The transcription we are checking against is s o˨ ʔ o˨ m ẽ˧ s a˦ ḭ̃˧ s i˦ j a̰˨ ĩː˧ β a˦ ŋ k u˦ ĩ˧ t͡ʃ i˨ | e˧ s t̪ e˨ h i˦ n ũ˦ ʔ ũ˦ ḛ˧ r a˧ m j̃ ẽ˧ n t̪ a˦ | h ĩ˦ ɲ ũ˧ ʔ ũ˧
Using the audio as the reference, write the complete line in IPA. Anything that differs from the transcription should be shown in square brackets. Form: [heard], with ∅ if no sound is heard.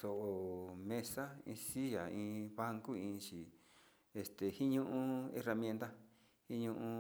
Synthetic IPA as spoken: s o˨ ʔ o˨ m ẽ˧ s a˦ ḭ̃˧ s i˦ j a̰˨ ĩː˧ β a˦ ŋ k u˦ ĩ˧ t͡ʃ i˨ | e˧ s t̪ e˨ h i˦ [ɲ] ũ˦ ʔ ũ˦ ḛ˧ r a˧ m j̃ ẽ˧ n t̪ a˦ | h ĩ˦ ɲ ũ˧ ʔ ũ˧

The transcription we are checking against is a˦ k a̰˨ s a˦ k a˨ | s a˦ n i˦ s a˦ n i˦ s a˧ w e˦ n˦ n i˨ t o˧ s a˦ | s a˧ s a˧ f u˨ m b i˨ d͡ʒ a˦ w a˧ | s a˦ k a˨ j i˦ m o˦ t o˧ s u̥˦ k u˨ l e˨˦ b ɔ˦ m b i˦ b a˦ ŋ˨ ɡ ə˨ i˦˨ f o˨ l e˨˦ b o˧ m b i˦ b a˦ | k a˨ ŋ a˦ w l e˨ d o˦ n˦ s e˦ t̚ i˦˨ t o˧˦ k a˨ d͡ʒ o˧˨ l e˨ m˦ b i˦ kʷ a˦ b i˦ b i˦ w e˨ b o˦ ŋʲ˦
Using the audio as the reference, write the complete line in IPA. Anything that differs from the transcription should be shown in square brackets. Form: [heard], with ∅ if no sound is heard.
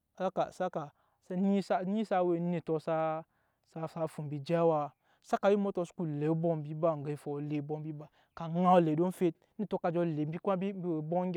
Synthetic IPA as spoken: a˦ k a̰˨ s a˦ k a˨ | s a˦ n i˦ s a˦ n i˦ s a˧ w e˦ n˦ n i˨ t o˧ s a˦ | s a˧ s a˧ f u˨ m b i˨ d͡ʒ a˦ w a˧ | s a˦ k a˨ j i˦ m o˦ t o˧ s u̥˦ k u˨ l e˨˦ b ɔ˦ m b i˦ b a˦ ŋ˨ ɡ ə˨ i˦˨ f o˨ l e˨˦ b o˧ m b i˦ b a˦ | k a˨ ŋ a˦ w l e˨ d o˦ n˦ [f] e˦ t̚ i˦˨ t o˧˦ k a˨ d͡ʒ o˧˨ l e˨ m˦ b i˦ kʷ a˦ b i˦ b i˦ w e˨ b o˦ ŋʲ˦

